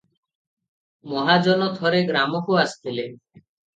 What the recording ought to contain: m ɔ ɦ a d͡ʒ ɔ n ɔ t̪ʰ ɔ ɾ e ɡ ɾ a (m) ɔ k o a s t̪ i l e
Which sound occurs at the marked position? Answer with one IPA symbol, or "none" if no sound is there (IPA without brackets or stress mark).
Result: m